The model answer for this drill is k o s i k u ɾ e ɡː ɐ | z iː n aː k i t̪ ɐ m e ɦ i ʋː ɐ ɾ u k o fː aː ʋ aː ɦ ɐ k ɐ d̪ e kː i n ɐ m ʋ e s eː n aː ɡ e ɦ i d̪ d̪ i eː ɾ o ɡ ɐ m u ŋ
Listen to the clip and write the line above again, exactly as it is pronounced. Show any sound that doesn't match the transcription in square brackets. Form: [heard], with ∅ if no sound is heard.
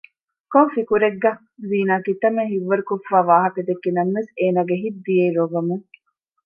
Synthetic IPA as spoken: k o [f] i k u ɾ e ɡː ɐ | z iː n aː k i t̪ ɐ m e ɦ i ʋː ɐ ɾ u k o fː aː ʋ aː ɦ ɐ k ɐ d̪ e kː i n ɐ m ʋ e s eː n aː ɡ e ɦ i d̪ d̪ i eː ɾ o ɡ ɐ m u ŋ